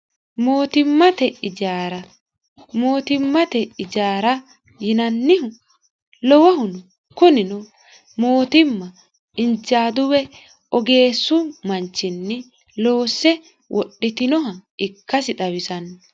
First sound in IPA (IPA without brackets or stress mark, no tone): m